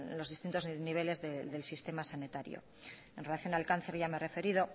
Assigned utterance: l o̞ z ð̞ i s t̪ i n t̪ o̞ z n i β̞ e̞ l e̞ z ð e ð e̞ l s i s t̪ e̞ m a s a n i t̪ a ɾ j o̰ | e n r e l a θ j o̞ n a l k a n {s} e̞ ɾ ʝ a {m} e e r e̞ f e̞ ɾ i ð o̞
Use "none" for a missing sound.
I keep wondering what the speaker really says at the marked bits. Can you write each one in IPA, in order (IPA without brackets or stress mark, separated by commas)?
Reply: θ, m